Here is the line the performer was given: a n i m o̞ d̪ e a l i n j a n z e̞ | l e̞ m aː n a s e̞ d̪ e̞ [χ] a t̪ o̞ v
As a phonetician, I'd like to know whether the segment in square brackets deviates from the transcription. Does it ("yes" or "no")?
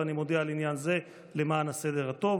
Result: yes